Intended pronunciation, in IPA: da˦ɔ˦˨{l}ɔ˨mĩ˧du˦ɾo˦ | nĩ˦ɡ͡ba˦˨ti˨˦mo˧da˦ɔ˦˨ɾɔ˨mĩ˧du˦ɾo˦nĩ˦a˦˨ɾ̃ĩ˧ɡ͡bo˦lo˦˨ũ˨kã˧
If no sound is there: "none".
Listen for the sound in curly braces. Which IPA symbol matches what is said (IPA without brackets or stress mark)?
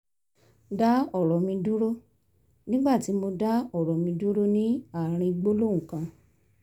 ɾ